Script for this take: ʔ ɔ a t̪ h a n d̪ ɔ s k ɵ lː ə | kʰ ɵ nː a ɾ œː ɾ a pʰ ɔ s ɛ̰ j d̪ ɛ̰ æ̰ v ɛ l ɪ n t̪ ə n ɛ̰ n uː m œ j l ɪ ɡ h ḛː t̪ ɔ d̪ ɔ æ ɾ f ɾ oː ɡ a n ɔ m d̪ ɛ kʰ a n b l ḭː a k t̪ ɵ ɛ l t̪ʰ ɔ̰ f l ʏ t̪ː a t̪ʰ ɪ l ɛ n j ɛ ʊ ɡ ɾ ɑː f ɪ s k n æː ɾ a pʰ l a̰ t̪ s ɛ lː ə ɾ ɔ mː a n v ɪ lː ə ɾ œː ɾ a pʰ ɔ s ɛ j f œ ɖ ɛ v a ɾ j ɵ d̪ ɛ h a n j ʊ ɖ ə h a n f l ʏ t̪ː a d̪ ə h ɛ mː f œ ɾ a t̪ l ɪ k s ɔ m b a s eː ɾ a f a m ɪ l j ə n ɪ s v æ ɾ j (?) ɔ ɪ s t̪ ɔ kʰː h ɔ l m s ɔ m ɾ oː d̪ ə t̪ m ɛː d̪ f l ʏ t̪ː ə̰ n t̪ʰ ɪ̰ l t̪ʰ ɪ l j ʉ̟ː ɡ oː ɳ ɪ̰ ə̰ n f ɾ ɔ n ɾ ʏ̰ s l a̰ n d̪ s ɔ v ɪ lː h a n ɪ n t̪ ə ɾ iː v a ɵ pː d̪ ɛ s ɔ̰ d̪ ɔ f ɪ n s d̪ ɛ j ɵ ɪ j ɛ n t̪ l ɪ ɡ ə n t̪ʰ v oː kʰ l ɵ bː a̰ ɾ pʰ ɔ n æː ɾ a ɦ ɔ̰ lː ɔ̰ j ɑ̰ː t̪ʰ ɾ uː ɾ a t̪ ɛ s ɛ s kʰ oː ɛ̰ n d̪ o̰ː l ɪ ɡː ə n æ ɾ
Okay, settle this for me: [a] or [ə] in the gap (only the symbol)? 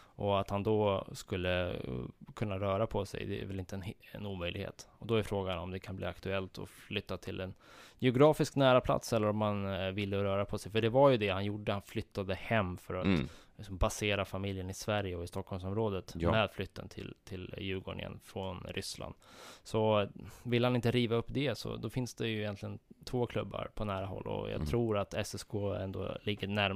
ə